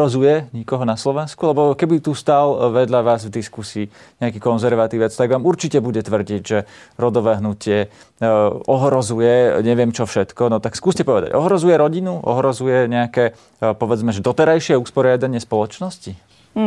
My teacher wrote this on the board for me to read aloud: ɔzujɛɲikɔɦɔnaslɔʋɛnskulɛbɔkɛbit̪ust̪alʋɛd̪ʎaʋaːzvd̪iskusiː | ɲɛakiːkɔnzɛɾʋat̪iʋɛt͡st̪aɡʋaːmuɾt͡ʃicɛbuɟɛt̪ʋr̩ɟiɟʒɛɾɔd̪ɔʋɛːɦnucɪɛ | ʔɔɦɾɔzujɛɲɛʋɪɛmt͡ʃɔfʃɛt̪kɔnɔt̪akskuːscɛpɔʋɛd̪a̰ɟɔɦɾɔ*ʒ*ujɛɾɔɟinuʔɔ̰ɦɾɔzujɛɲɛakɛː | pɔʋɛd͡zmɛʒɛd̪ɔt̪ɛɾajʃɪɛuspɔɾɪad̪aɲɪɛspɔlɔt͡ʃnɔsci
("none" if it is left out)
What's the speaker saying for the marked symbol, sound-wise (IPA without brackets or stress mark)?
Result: z